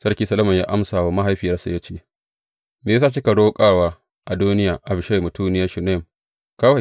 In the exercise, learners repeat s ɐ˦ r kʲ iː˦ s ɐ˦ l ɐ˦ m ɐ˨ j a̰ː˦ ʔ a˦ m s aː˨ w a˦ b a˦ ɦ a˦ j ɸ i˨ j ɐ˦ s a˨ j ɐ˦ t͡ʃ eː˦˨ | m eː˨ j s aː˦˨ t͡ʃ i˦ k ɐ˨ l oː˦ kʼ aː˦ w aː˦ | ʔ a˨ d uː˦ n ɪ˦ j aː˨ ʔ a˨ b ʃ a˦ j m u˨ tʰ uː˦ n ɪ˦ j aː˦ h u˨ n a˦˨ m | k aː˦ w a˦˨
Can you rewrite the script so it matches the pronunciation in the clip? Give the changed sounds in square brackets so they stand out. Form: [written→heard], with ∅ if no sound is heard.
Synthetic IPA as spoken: s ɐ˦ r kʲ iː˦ s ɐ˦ l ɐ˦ m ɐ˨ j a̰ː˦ ʔ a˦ m s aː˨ w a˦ [b→m] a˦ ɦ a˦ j ɸ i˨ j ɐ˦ s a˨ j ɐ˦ t͡ʃ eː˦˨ | m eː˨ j s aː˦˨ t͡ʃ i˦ k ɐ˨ [l→ɽ] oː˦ kʼ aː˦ w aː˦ | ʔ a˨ d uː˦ n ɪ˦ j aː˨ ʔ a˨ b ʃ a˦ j m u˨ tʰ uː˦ n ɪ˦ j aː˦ [h→ʃ] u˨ n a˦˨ m | k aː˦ w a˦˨